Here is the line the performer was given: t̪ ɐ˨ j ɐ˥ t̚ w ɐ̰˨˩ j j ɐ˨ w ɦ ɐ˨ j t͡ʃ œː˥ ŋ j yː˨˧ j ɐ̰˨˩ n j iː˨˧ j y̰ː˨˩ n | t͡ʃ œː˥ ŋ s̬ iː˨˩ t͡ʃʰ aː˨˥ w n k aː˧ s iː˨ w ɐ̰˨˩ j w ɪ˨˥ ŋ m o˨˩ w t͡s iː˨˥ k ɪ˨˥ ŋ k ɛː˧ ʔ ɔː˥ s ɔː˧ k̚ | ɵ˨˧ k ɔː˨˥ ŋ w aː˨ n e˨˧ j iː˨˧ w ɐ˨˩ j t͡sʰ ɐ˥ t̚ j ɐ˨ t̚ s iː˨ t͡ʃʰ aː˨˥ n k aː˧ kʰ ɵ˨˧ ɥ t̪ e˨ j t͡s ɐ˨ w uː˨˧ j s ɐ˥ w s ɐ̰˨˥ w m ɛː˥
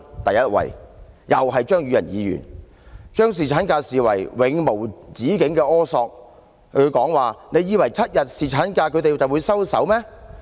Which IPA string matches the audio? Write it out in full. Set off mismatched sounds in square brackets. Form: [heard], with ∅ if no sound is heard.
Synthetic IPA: t̪ ɐ˨ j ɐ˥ t̚ w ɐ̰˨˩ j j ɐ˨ w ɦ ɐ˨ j t͡ʃ œː˥ ŋ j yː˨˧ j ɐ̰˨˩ n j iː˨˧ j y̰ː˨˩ n | t͡ʃ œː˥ ŋ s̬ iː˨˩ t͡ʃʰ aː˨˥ [∅] n k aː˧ s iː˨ w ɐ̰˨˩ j w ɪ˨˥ ŋ m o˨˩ w t͡s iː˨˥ k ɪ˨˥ ŋ k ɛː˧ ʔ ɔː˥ s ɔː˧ k̚ | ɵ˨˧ k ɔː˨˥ ŋ w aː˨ n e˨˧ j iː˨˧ w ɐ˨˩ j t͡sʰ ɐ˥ t̚ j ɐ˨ t̚ s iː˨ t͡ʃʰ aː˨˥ n k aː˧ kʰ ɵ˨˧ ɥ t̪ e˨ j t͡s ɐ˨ w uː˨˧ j s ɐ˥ w s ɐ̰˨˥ w m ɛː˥